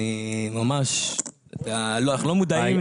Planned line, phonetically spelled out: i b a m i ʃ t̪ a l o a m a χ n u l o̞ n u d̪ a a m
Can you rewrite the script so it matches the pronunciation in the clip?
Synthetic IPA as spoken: i m a m a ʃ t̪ a l o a n a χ n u l o̞ m u d̪ a i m